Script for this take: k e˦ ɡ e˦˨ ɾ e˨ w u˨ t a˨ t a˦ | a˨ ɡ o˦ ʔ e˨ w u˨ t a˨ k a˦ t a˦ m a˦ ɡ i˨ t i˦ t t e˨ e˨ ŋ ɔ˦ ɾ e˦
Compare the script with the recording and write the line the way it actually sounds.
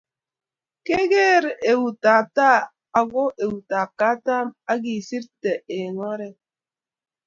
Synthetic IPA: k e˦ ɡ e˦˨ ɾ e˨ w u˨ t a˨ t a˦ | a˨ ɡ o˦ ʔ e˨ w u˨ t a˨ k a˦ t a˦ m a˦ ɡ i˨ s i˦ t t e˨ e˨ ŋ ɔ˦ ɾ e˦